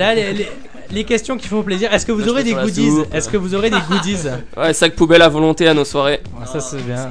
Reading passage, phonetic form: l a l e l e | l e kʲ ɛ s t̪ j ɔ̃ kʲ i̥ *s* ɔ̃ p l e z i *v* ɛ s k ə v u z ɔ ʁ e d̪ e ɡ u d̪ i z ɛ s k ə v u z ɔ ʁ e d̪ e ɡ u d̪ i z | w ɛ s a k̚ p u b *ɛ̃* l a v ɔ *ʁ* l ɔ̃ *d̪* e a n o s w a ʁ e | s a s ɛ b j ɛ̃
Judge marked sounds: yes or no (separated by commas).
no, no, no, no, no